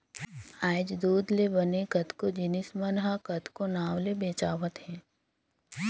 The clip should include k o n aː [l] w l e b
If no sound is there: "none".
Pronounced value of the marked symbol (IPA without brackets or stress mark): none